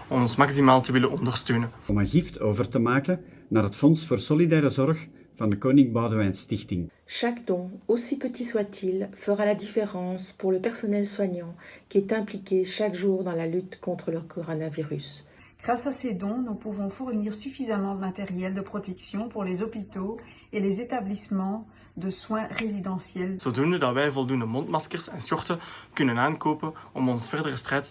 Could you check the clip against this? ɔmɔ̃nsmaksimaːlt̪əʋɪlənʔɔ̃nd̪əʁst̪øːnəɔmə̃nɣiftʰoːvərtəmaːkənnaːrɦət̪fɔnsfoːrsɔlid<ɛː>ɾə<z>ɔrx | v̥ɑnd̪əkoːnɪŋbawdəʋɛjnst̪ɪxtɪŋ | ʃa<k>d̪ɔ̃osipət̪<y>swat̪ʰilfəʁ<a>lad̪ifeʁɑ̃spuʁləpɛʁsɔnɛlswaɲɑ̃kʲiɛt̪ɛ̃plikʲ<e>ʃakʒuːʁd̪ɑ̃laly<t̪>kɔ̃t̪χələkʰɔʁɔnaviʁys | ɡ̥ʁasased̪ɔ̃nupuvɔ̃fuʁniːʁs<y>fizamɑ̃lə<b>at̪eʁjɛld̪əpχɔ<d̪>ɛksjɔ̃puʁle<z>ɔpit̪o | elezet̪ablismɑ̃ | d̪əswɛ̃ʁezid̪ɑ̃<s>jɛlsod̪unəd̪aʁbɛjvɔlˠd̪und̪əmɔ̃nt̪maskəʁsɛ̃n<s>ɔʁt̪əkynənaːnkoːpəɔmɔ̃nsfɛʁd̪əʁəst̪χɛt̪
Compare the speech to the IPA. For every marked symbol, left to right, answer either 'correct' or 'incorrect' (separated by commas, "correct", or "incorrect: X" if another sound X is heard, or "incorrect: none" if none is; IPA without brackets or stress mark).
correct, correct, correct, incorrect: i, correct, correct, correct, correct, incorrect: m, incorrect: t̪, correct, correct, correct